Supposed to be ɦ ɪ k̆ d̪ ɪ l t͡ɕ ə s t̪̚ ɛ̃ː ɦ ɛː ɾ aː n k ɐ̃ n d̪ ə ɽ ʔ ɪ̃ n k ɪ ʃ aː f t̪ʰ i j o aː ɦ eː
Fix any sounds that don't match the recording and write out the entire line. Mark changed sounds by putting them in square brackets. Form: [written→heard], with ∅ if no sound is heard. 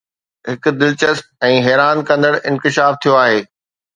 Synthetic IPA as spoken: ɦ ɪ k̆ d̪ ɪ l t͡ɕ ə s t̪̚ ɛ̃ː ɦ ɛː ɾ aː n k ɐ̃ n d̪ ə ɽ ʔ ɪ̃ n k ɪ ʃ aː f t̪ʰ i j o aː ɦ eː